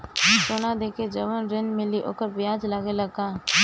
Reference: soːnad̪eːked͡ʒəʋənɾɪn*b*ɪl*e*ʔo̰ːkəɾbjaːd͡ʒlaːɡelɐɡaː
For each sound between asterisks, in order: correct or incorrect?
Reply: incorrect: m, incorrect: i

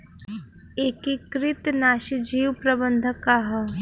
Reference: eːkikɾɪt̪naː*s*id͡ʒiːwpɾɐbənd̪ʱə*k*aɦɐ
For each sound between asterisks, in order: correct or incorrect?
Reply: incorrect: ʃ, correct

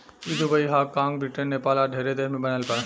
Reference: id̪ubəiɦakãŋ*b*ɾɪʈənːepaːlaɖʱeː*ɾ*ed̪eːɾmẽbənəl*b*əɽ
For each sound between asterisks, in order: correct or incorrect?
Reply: correct, correct, incorrect: p

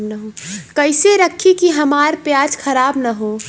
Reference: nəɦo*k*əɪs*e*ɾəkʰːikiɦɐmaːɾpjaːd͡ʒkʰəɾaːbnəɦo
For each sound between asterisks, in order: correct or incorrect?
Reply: correct, correct

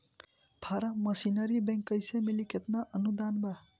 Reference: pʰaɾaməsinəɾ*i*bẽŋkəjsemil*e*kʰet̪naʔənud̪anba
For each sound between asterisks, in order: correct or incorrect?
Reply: correct, incorrect: i

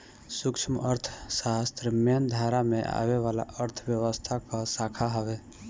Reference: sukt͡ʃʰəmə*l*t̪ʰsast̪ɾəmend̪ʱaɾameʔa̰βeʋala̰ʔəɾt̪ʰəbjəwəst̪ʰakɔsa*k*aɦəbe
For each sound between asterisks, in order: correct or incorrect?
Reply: incorrect: ɾ, incorrect: kʰ

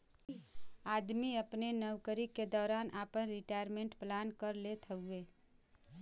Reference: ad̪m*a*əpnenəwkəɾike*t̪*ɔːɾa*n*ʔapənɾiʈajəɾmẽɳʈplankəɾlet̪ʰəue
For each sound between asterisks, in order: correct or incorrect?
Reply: incorrect: i, incorrect: d̪, correct

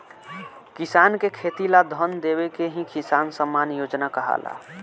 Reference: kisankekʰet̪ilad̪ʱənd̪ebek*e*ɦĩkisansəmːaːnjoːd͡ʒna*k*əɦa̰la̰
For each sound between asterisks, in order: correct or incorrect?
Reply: correct, correct

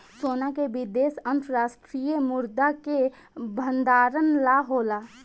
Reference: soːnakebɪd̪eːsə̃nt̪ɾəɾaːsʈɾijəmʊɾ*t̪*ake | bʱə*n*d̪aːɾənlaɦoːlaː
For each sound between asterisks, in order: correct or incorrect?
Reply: incorrect: d̪, correct

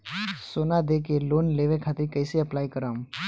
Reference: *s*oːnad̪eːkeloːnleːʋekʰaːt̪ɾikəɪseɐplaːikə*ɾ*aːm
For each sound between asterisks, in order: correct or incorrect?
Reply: correct, correct

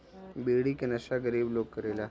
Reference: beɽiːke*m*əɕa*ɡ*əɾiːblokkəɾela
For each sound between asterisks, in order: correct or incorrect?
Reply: incorrect: n, correct

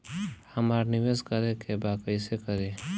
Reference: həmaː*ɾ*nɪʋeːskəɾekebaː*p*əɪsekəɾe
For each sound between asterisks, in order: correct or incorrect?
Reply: correct, incorrect: k

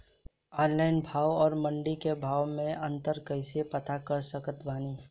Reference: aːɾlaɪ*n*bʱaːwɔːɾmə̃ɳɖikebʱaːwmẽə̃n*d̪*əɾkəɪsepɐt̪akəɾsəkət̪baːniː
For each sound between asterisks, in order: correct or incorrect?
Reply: correct, incorrect: t̪

